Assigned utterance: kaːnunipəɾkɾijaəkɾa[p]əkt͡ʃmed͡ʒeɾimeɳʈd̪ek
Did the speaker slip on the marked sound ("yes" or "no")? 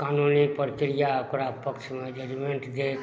no